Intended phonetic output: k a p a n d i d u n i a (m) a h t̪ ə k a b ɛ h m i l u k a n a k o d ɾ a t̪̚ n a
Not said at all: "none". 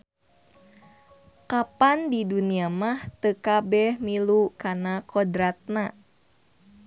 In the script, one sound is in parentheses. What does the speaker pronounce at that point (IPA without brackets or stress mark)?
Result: m